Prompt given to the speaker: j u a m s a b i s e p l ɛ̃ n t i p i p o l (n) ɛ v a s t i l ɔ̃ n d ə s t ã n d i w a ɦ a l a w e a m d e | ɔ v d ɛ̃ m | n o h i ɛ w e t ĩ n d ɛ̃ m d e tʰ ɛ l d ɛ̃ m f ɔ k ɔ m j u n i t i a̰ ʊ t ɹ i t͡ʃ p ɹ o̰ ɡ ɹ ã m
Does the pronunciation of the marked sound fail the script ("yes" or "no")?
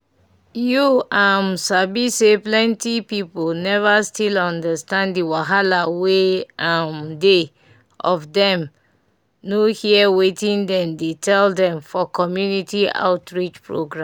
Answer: no